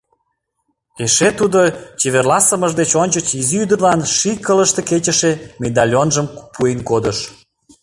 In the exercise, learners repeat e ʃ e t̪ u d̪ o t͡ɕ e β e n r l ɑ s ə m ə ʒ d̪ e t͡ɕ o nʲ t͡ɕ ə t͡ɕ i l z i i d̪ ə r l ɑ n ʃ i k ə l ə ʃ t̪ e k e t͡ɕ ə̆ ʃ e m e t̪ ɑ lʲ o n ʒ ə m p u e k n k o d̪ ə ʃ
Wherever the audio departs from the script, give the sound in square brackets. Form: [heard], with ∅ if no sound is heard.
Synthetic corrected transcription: e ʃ e t̪ u d̪ o t͡ɕ e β e [∅] r l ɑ s ə m ə ʒ d̪ e t͡ɕ o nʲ t͡ɕ ə t͡ɕ i [∅] z i [y] d̪ ə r l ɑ n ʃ i k ə l ə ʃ t̪ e k e t͡ɕ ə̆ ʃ e m e [d̪] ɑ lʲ o n ʒ ə m p u e [∅] n k o d̪ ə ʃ